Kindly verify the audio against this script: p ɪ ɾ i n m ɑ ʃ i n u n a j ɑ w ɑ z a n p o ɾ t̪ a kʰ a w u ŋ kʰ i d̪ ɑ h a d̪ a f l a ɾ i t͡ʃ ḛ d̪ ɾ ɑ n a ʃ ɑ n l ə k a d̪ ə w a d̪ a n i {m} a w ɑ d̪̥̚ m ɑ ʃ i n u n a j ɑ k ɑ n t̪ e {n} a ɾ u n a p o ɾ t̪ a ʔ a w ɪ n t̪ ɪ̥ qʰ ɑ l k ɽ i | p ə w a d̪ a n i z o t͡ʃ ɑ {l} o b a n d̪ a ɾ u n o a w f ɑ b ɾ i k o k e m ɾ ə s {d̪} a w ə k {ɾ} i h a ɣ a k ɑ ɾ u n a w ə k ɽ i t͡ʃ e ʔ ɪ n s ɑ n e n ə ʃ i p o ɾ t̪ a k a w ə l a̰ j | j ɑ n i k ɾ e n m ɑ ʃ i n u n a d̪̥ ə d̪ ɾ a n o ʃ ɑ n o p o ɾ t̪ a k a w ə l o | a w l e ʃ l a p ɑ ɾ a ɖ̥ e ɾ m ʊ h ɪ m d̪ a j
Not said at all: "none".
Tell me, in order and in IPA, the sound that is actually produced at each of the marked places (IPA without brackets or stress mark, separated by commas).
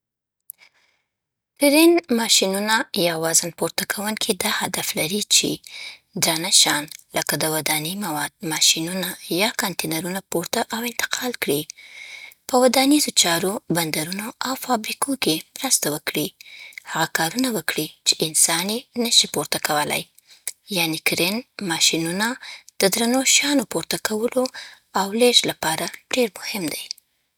m, n, ɾ, t̪, ɽ